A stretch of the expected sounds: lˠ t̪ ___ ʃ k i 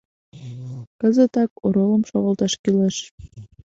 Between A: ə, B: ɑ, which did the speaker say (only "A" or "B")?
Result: B